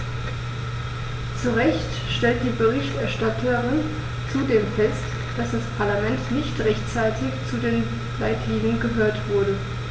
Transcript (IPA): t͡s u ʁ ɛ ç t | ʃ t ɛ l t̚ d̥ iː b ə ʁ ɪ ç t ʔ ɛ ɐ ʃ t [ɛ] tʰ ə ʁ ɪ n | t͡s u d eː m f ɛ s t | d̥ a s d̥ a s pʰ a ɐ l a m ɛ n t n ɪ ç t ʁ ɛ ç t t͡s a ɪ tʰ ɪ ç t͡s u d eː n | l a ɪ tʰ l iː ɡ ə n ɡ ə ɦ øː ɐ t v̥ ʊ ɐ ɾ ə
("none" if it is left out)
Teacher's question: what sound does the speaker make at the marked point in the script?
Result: a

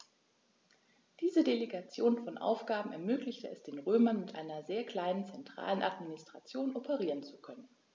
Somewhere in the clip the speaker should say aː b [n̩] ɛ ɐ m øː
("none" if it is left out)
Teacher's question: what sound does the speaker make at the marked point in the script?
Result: m̩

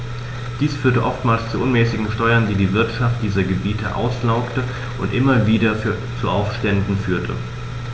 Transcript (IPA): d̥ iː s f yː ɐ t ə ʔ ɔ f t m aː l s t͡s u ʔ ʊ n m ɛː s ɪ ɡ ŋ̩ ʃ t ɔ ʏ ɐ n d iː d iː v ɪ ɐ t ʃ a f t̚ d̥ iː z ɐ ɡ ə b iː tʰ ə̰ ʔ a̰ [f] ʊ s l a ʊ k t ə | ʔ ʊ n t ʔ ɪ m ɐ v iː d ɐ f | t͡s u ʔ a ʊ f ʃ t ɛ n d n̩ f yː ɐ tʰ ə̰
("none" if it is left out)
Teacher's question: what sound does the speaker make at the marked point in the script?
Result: none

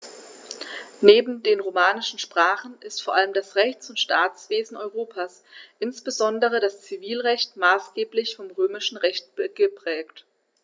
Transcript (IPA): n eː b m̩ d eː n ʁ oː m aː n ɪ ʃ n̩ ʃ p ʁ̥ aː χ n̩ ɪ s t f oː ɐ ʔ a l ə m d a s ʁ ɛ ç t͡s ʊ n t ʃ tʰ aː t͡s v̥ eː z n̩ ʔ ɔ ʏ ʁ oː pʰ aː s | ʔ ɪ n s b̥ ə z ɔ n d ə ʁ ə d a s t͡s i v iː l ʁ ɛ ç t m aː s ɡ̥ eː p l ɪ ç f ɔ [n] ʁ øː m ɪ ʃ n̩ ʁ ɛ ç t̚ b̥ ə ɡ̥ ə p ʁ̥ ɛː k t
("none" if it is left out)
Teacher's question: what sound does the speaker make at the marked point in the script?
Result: m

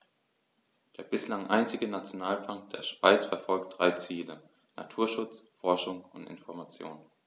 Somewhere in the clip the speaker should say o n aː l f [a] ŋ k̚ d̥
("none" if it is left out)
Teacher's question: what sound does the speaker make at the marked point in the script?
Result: a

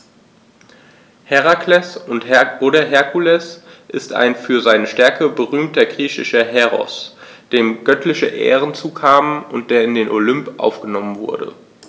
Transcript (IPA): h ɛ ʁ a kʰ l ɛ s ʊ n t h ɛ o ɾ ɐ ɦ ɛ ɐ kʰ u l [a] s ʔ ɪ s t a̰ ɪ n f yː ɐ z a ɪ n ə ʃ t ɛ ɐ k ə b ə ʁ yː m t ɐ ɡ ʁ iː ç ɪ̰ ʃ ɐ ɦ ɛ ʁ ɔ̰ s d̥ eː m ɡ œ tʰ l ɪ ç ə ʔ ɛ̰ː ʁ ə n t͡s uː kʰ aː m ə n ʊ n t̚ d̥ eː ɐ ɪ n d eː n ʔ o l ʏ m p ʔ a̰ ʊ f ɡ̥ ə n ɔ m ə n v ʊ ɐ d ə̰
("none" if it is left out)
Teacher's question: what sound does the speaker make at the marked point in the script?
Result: ɛ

